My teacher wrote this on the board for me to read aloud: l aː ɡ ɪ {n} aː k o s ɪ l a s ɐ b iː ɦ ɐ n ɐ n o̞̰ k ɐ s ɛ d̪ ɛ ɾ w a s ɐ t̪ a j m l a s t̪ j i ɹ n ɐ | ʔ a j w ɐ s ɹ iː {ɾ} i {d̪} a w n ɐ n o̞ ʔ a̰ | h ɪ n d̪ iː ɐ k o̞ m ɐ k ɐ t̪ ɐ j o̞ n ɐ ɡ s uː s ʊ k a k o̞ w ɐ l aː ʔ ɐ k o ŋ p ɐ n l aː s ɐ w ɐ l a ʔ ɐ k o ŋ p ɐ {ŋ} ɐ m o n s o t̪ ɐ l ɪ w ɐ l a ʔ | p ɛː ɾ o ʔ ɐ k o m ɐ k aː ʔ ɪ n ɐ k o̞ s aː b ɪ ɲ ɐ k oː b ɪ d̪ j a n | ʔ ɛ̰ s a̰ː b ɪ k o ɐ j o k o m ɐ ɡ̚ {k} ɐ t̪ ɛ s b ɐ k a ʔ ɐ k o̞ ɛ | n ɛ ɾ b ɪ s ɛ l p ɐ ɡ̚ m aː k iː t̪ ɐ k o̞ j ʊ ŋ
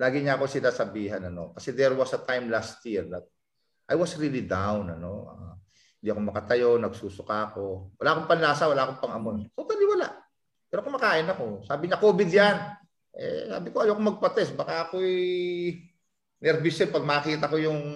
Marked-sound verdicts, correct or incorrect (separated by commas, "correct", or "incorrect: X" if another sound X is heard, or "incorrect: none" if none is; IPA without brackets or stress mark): incorrect: ɲ, incorrect: l, correct, correct, incorrect: p